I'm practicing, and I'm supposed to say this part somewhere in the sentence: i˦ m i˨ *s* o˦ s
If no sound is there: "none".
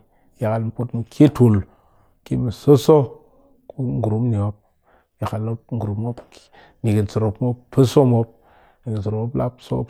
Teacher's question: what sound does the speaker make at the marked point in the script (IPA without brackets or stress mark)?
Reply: s